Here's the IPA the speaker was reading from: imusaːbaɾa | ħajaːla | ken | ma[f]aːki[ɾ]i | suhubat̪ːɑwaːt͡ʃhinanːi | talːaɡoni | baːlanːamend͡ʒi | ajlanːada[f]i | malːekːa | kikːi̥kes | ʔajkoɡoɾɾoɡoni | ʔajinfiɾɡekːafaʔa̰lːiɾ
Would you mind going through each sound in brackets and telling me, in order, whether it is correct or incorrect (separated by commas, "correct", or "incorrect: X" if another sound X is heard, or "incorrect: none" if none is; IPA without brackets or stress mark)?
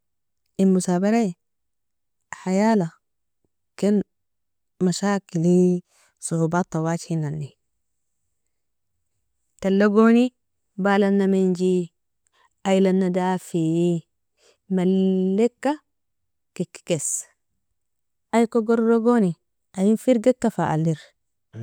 incorrect: ʃ, incorrect: l, correct